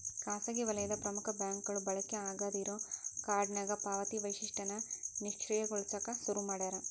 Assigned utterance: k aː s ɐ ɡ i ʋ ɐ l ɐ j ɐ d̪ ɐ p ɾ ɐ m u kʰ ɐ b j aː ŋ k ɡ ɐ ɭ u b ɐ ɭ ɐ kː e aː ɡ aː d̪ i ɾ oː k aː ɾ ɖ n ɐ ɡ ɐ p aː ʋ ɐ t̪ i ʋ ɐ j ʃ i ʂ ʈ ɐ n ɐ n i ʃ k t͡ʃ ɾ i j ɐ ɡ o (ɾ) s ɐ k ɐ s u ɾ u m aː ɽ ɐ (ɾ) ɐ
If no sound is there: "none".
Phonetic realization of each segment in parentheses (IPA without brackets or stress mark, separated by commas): ɭ, ɾ